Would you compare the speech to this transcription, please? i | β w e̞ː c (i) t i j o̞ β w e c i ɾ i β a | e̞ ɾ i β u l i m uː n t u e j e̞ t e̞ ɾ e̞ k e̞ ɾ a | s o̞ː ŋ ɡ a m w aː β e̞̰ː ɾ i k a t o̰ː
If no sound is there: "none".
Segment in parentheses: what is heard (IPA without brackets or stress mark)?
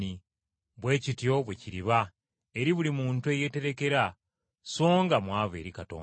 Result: i